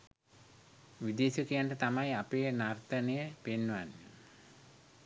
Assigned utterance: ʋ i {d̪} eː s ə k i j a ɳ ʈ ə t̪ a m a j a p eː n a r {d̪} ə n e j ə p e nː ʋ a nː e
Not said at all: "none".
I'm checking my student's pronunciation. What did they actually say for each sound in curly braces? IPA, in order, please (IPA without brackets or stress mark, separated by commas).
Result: d̪, t̪